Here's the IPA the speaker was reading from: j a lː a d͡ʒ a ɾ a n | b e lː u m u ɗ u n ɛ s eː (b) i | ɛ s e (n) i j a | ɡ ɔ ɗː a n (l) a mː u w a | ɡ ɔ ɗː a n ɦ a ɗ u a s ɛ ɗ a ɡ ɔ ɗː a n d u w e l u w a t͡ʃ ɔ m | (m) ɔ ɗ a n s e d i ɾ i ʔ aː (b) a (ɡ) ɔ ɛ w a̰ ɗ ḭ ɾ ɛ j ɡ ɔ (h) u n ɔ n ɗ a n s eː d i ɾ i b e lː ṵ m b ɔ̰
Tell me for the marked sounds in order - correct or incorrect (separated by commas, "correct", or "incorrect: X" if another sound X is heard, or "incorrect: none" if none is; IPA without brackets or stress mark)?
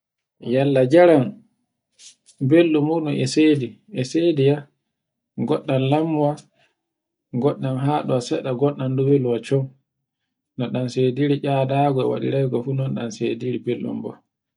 incorrect: d, incorrect: d, correct, incorrect: n, incorrect: d, correct, incorrect: f